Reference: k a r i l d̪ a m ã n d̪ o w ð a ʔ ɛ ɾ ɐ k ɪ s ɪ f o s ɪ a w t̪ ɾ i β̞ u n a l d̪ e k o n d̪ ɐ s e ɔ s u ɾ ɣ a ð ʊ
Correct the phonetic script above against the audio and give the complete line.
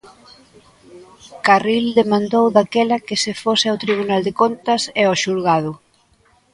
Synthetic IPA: k a r i l d̪ e m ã n d̪ o w ð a k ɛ l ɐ k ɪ s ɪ f o s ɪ a w t̪ ɾ i β̞ u n a l d̪ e k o n t̪ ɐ s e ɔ ʃ u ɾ ɣ a ð ʊ